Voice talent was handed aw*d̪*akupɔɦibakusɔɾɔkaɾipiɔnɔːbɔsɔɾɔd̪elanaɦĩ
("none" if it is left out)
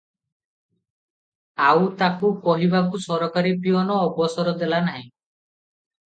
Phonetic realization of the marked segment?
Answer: t̪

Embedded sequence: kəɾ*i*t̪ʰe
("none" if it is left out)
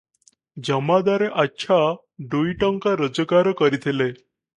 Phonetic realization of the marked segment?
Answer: i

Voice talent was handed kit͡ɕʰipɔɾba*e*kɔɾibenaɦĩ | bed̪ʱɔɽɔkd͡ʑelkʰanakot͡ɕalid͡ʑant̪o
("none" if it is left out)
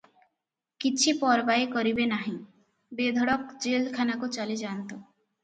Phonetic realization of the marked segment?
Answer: e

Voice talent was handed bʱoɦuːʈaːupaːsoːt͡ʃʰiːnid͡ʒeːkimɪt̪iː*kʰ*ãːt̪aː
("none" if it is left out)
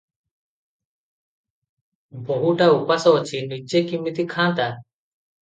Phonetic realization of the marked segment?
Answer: kʰ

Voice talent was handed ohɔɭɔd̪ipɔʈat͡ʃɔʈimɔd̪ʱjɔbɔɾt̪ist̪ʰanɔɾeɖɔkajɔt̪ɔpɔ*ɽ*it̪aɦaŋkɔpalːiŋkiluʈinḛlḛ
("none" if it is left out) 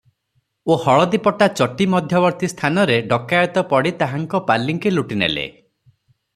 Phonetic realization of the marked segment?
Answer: ɽ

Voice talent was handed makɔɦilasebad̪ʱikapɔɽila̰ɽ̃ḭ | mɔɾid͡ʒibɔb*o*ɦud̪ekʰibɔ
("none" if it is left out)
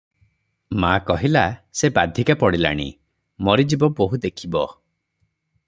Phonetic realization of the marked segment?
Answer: o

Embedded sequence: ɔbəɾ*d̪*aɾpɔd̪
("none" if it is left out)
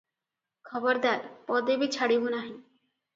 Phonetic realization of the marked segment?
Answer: d̪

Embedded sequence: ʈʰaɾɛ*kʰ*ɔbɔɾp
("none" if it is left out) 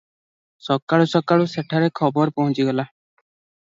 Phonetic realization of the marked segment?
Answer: kʰ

